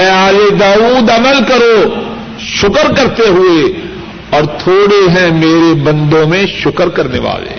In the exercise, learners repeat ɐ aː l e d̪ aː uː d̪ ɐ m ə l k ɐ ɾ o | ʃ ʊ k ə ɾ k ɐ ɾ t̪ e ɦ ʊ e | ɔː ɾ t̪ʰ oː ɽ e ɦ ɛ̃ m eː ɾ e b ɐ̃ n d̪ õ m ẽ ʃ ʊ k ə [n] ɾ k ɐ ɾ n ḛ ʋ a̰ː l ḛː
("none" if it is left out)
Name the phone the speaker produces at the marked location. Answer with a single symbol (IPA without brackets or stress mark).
none